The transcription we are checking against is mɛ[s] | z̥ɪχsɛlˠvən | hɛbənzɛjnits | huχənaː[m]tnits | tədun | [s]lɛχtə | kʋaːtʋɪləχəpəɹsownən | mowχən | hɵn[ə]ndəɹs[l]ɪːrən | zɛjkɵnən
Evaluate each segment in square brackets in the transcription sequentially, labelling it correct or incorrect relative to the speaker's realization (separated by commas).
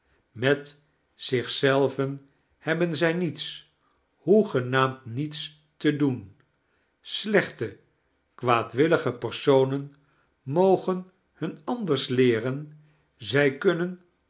incorrect, correct, correct, incorrect, correct